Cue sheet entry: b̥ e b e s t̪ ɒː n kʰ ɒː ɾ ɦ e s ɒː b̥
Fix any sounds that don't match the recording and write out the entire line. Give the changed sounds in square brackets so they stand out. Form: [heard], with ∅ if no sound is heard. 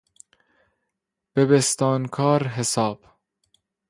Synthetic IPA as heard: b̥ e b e s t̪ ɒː n kʰ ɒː ɾ ɦ e s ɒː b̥